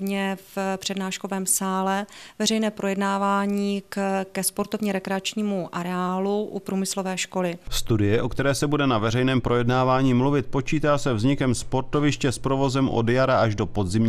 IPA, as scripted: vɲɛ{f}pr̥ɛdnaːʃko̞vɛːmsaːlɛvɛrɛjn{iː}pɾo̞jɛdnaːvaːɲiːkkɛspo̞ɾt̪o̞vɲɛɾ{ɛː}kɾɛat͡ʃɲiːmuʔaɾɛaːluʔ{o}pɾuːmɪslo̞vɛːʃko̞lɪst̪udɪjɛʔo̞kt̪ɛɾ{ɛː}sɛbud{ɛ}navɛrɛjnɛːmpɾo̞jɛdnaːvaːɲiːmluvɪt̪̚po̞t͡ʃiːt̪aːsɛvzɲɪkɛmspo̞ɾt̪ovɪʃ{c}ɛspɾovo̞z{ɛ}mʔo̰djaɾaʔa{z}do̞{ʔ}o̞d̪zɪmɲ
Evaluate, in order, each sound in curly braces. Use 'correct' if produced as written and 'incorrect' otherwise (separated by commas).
correct, incorrect, incorrect, incorrect, correct, correct, correct, correct, incorrect, incorrect